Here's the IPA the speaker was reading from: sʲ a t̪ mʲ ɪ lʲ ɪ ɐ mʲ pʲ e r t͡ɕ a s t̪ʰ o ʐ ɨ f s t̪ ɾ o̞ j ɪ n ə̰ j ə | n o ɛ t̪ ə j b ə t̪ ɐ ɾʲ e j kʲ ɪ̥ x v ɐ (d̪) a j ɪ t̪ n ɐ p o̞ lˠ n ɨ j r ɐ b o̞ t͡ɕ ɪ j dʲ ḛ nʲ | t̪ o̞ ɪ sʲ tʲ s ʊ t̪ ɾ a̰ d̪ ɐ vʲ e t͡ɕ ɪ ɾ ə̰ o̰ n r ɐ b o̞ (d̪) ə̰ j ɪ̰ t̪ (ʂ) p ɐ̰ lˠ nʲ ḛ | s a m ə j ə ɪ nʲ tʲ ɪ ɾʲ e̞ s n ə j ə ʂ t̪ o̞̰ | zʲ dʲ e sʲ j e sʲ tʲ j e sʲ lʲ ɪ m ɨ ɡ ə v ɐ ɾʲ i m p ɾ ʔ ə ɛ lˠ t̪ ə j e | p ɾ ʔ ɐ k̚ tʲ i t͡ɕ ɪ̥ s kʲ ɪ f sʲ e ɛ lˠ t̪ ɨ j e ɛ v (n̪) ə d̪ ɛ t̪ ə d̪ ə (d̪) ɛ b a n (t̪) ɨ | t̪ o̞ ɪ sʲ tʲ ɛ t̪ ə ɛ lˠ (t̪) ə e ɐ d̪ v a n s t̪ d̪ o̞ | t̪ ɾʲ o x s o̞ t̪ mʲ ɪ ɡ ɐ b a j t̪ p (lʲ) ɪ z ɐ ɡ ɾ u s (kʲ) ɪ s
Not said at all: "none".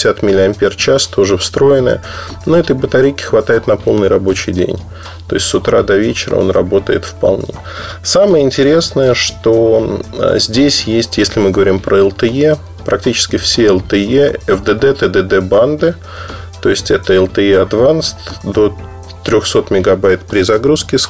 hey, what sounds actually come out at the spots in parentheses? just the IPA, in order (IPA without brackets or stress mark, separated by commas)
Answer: t̪, t̪, f, d̪, d̪, d̪, t̪, ɾʲ, kʲ